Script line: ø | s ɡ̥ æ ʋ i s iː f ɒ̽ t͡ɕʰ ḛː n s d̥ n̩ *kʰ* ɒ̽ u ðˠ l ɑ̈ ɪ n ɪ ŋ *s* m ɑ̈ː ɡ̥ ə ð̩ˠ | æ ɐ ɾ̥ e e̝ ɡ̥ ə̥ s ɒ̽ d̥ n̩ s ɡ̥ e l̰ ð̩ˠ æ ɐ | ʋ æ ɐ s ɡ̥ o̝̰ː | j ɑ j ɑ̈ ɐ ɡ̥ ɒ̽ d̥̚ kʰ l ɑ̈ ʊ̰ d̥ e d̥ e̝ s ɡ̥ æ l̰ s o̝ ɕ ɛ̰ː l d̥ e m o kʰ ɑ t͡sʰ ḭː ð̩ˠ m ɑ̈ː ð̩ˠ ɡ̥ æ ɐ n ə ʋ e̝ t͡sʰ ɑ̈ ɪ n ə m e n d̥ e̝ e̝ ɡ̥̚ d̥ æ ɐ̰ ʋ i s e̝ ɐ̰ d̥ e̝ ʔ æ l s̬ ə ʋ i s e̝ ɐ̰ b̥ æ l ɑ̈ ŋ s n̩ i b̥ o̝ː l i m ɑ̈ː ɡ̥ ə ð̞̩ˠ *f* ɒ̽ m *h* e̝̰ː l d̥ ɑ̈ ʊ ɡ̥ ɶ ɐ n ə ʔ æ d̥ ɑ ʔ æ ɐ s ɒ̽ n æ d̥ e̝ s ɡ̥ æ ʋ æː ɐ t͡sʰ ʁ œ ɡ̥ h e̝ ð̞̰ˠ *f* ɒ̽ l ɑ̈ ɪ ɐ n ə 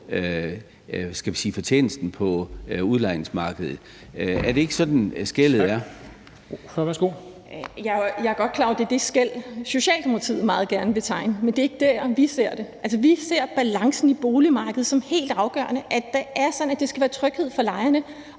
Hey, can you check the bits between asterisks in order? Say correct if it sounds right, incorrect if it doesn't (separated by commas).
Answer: incorrect, correct, incorrect, correct, correct